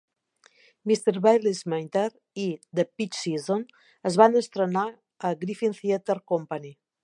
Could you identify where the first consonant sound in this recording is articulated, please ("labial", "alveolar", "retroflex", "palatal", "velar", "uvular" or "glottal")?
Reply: labial